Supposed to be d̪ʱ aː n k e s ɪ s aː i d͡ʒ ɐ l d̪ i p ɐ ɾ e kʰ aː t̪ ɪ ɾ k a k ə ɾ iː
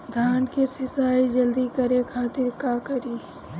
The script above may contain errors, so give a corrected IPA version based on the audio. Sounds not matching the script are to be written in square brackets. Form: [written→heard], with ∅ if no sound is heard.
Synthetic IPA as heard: d̪ʱ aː n k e s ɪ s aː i d͡ʒ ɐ l d̪ i [p→k] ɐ ɾ e kʰ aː t̪ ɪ ɾ k a k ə ɾ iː